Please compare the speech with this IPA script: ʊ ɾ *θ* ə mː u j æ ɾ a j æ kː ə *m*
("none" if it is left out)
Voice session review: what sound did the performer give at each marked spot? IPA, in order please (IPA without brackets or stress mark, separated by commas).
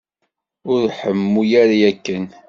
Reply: ħ, n